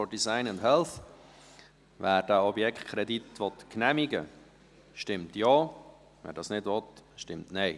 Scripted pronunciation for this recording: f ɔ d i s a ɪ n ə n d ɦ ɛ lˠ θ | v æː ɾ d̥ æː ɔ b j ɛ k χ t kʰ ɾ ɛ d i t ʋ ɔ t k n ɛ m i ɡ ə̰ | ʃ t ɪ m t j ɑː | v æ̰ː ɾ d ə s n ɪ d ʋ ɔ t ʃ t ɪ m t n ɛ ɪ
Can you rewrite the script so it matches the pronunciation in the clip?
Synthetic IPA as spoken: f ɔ d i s a ɪ n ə n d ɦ ɛ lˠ θ | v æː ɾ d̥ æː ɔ b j ɛ k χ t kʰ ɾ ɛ d i t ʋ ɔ t k n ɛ m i ɡ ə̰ | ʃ t ɪ m t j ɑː | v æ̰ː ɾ d ɑ s n ɪ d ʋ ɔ t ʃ t ɪ m t n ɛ ɪ